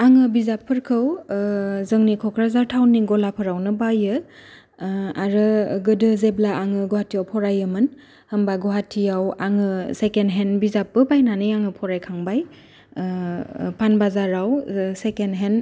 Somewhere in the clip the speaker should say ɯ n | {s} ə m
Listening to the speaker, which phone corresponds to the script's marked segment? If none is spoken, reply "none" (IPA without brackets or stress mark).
h